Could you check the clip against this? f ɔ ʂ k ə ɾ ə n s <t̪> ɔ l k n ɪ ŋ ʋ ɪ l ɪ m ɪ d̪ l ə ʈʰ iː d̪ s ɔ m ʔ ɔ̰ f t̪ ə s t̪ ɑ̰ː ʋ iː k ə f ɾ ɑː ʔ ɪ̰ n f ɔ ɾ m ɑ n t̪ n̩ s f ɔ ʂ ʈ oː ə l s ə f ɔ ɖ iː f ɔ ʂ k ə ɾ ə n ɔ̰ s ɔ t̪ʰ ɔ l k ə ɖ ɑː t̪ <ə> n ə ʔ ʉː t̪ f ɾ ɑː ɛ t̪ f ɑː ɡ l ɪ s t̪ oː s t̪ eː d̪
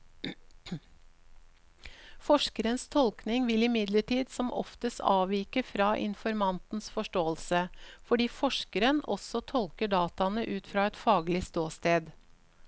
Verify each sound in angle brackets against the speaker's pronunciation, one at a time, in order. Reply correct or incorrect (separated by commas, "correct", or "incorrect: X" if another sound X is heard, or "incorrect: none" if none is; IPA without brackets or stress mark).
incorrect: t̪ʰ, incorrect: ɑ